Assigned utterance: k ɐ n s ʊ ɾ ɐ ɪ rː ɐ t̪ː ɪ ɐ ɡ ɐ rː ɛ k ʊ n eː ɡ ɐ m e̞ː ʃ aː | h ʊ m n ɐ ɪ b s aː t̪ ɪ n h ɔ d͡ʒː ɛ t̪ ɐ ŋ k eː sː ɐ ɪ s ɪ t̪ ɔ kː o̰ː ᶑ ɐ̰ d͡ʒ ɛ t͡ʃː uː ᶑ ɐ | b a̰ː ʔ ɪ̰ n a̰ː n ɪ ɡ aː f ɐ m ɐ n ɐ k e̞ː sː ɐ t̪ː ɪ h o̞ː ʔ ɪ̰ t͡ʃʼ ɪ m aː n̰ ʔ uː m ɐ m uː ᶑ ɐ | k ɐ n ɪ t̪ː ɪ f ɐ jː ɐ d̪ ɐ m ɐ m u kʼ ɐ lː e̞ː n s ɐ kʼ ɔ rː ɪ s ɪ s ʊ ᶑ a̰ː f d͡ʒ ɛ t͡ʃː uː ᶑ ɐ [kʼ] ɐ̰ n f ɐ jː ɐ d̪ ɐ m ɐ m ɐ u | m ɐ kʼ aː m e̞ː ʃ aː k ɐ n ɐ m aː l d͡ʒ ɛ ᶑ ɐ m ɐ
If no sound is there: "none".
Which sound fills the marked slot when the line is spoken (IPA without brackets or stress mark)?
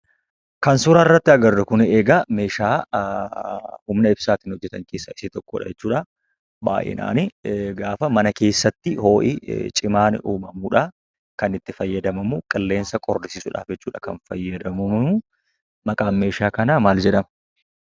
k